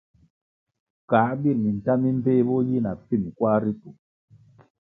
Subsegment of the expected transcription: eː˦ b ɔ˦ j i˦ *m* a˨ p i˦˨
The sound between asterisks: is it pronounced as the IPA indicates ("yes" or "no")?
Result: no